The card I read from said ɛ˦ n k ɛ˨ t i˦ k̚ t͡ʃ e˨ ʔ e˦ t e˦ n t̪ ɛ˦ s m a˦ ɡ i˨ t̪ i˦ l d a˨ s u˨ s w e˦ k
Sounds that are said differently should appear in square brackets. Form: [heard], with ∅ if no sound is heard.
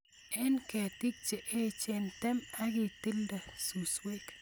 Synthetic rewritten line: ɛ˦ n k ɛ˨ t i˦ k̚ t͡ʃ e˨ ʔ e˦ [t͡ʃ] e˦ n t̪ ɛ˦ [∅] m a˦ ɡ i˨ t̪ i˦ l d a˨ s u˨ s w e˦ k